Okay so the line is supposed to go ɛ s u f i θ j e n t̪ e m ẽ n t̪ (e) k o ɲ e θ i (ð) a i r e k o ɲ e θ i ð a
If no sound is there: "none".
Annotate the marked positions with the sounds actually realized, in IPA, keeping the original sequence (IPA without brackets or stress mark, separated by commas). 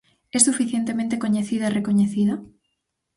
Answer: e, ð